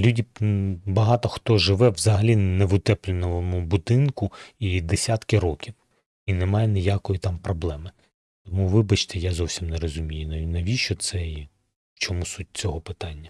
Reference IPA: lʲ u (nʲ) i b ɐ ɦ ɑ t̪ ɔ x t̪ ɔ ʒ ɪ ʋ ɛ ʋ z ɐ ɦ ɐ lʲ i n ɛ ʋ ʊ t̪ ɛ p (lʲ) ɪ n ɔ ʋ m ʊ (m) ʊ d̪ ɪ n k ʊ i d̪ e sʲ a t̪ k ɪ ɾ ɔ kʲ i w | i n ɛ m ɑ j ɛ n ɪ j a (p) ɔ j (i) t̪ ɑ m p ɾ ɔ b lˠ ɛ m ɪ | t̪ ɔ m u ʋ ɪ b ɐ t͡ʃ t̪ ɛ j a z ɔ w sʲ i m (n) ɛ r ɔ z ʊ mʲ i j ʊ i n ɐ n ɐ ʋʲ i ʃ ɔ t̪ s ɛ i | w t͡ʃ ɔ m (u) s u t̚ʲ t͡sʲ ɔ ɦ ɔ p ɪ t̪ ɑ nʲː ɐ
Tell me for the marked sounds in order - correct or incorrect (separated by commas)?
incorrect, correct, incorrect, incorrect, correct, correct, correct